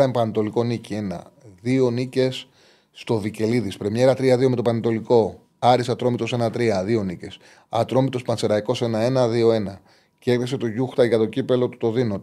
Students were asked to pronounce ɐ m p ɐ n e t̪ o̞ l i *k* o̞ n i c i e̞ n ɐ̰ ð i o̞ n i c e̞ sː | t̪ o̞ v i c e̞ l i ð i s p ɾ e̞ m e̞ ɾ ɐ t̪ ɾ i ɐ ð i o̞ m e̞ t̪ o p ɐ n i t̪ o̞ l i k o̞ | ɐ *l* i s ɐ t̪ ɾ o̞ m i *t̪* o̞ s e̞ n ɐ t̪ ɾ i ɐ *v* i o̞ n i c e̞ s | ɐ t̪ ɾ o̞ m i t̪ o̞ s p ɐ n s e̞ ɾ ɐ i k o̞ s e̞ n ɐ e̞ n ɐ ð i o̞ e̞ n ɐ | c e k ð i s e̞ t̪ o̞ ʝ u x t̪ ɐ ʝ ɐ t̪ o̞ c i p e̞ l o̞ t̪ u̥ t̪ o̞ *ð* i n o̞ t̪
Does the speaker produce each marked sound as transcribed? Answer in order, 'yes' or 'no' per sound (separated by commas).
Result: yes, no, yes, no, yes